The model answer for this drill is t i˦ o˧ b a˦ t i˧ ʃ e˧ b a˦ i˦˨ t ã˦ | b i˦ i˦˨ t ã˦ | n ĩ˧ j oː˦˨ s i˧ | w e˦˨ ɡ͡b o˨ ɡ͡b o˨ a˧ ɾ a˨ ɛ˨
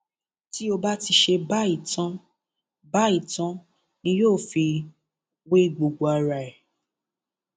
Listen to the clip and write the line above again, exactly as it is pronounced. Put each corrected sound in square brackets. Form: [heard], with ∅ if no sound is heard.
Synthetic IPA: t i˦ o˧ b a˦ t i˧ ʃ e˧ b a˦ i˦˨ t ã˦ | b [a˦] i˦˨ t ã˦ | n ĩ˧ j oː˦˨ [f] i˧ | w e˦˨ ɡ͡b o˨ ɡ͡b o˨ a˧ ɾ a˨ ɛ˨